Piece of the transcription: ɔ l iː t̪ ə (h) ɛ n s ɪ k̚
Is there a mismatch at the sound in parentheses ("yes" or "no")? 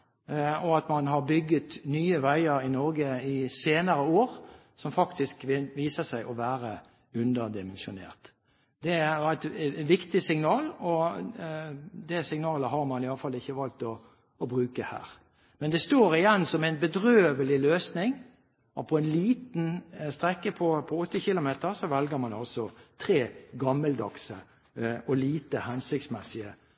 no